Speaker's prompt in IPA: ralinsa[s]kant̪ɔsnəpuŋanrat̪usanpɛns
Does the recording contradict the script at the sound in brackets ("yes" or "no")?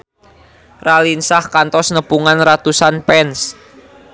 yes